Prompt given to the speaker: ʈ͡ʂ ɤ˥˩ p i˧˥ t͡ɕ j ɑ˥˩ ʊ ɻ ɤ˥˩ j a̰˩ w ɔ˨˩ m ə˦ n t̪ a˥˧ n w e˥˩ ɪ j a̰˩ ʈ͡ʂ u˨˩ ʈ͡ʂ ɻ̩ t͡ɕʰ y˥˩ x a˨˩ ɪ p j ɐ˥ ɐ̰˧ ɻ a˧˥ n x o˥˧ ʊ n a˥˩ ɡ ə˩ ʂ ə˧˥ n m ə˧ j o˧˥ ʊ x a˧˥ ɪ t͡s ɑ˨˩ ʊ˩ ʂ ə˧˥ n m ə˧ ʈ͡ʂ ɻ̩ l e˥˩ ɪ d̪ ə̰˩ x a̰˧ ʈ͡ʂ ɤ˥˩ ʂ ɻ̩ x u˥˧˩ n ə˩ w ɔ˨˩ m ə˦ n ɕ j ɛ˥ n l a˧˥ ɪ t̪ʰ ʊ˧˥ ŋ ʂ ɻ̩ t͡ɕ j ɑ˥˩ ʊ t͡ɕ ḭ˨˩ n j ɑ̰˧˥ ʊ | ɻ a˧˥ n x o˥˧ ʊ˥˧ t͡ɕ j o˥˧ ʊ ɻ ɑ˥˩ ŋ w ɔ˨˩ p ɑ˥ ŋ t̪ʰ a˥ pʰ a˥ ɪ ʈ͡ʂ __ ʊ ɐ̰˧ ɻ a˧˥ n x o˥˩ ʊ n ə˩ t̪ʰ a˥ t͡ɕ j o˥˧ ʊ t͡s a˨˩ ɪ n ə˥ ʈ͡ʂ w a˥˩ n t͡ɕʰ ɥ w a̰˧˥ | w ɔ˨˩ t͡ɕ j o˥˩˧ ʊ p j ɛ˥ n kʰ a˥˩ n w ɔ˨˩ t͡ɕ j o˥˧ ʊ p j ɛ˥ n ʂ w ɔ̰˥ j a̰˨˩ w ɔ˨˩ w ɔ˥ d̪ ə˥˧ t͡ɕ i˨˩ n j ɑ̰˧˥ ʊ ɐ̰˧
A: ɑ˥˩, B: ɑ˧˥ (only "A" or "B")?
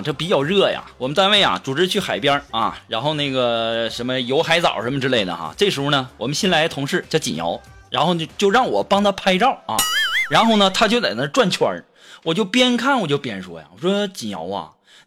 A